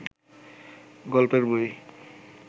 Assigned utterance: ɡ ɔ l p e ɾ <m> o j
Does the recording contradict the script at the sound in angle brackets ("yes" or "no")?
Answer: yes